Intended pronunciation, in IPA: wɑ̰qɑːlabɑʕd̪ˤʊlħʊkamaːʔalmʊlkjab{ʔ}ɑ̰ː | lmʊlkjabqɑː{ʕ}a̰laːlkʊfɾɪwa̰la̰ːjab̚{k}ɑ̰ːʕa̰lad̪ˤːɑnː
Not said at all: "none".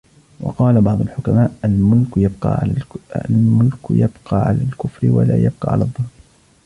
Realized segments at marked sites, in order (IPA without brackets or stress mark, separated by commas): q, ʕ, q